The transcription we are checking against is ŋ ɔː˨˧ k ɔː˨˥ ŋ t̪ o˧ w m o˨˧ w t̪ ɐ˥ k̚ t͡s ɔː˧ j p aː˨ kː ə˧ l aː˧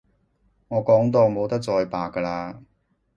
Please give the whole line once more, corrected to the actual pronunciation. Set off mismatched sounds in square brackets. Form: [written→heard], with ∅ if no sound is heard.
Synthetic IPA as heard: ŋ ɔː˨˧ k ɔː˨˥ ŋ t̪ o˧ w m o˨˧ w t̪ ɐ˥ k̚ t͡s ɔː˧ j p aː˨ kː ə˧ l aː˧